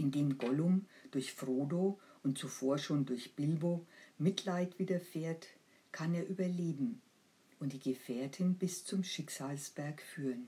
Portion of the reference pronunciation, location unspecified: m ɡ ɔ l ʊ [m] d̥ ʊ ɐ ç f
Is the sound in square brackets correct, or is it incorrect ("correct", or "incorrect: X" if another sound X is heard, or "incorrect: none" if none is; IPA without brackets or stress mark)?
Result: correct